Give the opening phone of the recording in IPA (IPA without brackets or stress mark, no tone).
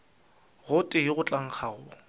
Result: ɣ